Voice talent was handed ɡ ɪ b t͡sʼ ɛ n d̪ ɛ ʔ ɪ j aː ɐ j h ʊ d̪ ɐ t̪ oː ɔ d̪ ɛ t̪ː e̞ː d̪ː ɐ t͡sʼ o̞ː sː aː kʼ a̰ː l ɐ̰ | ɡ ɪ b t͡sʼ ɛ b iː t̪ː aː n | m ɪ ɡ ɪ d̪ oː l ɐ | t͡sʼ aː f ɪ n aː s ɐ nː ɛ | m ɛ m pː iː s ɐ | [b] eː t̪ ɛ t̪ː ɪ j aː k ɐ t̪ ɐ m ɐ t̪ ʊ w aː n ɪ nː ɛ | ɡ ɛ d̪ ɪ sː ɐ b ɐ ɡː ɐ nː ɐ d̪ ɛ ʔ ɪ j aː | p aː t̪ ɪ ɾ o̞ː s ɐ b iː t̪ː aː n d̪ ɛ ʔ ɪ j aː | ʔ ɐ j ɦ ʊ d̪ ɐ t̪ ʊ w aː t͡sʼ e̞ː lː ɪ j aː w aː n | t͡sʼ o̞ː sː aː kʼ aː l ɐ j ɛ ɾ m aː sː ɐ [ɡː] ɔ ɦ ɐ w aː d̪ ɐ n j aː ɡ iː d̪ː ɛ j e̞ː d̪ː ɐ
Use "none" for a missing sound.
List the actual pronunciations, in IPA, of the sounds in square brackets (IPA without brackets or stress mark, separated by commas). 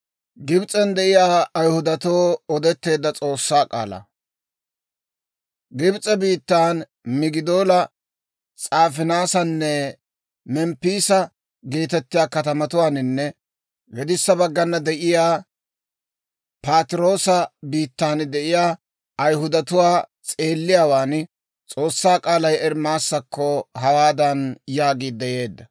ɡ, kː